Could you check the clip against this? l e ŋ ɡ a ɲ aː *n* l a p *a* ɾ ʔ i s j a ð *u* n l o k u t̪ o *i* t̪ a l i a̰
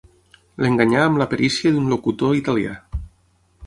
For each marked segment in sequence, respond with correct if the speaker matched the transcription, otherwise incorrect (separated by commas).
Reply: incorrect, incorrect, correct, correct